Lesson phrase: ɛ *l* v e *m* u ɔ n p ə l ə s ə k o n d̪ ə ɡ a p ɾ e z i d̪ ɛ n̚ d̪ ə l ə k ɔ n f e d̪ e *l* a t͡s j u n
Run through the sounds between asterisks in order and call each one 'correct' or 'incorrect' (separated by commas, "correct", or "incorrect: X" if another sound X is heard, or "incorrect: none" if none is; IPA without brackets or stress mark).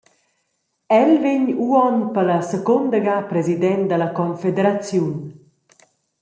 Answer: correct, incorrect: ɲ, incorrect: ɾ